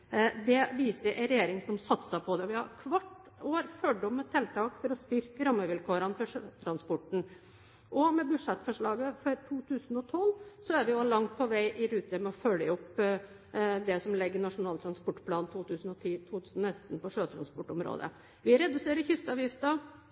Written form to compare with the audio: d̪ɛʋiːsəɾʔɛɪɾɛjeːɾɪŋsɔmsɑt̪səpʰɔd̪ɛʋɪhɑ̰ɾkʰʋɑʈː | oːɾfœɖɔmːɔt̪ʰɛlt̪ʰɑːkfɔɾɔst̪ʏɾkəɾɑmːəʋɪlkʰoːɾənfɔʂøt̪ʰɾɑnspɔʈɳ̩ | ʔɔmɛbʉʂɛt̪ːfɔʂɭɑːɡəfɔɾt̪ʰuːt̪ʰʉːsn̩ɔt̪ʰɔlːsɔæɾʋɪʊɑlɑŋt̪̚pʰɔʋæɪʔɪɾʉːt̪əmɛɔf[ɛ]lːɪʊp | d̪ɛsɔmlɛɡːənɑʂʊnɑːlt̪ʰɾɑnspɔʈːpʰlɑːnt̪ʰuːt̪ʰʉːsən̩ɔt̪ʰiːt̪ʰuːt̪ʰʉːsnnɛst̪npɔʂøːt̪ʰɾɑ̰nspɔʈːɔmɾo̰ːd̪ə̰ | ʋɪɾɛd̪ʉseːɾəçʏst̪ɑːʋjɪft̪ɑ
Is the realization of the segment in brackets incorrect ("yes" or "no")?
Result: yes